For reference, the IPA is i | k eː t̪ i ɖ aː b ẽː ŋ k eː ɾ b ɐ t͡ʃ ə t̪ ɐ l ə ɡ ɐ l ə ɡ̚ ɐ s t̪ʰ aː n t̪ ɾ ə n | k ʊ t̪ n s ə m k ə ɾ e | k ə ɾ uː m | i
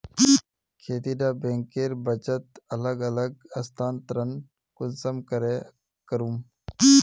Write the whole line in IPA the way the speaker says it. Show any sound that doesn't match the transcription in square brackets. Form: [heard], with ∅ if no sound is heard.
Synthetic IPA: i | [kʰ] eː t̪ i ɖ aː b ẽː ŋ k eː ɾ b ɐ t͡ʃ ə t̪ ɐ l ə ɡ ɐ l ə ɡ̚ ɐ s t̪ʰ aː n t̪ ɾ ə n | k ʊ [∅] n s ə m k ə ɾ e | k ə ɾ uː m | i